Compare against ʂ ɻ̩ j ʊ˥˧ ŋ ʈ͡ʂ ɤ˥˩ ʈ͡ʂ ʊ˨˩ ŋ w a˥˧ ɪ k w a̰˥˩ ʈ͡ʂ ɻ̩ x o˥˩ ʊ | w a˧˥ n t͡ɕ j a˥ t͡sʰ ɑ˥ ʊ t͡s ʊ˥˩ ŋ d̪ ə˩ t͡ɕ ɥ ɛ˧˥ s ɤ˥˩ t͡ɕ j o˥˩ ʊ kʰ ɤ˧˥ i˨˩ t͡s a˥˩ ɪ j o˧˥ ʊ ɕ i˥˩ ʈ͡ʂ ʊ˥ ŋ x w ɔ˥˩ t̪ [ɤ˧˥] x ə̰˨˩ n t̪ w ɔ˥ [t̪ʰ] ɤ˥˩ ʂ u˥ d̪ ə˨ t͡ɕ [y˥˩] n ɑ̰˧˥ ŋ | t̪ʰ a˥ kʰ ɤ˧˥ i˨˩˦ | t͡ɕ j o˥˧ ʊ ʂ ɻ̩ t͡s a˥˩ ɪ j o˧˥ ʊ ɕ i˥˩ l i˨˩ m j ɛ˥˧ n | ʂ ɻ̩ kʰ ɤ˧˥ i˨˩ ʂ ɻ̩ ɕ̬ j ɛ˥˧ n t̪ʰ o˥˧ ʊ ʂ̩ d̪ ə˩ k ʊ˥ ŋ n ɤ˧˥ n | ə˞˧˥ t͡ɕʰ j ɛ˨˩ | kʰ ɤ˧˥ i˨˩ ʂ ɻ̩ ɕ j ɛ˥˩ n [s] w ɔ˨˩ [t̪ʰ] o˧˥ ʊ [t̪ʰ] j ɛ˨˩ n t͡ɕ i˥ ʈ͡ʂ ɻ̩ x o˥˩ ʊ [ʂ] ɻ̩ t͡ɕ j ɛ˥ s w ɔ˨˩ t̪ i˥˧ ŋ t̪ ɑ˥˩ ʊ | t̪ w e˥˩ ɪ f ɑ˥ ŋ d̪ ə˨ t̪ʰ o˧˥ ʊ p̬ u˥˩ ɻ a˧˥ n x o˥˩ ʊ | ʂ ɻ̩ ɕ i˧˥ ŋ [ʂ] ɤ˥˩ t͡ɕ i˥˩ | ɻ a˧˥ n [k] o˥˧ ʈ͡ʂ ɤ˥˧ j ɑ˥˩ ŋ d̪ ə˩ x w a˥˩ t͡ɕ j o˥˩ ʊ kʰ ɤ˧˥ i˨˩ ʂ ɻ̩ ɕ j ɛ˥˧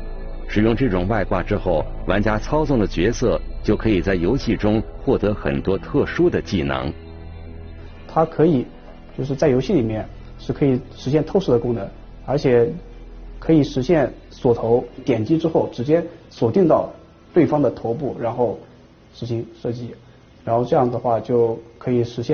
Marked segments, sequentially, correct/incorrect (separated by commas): correct, correct, incorrect, correct, correct, incorrect, incorrect, correct, incorrect